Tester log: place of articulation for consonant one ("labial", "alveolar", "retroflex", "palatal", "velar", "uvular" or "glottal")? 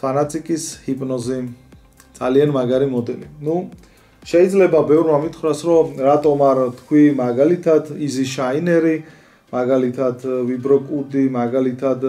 alveolar